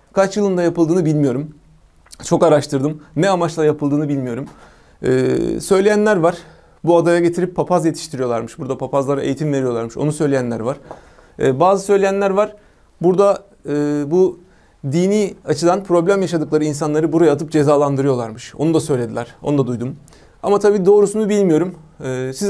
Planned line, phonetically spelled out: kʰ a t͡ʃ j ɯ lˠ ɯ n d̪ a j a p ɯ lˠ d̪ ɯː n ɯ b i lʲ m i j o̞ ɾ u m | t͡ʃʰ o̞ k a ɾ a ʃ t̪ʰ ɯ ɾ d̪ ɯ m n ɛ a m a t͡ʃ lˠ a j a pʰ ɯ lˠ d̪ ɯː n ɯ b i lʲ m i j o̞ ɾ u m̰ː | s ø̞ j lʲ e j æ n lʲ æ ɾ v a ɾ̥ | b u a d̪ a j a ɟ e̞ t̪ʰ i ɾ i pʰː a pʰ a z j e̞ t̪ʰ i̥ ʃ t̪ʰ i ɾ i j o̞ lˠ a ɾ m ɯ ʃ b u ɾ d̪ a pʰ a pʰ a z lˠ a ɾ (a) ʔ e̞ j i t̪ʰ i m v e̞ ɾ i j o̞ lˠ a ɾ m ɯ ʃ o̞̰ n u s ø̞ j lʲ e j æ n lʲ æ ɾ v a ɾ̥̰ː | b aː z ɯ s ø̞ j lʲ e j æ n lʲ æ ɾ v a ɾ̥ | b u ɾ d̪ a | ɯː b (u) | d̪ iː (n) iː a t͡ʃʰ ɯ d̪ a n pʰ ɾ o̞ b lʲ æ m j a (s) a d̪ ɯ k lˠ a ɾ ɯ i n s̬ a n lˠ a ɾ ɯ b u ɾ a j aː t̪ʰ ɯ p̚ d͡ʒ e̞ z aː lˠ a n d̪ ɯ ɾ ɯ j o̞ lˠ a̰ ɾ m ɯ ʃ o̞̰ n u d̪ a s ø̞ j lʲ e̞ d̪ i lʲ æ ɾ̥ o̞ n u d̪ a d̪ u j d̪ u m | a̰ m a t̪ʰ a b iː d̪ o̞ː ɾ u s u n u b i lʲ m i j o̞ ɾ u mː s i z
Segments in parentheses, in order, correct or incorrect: correct, correct, correct, incorrect: ʃ

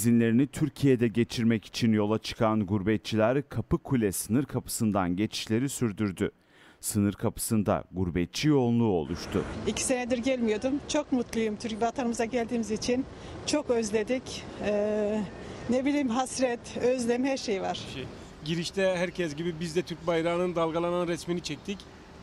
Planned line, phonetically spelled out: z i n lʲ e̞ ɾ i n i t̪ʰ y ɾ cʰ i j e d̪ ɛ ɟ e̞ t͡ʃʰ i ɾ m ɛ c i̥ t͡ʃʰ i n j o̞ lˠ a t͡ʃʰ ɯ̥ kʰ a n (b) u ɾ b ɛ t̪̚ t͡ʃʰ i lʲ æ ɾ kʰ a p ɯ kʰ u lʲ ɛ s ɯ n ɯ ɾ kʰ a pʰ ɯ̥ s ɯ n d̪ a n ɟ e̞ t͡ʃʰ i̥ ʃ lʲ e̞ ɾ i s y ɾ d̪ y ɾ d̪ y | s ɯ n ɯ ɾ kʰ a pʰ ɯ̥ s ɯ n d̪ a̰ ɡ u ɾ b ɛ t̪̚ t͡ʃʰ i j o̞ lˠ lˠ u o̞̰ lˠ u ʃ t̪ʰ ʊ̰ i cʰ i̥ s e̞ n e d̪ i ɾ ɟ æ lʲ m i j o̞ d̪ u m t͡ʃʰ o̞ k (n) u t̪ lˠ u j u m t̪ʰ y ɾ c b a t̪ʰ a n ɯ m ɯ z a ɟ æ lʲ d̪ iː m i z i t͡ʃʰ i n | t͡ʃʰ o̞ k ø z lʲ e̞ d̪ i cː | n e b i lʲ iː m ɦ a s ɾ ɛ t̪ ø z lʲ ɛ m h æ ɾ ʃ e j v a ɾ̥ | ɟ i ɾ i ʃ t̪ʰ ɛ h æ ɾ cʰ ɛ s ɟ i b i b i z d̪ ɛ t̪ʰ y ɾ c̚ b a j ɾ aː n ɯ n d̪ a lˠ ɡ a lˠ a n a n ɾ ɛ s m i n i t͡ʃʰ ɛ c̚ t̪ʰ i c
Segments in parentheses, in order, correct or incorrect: incorrect: ɡ, incorrect: m

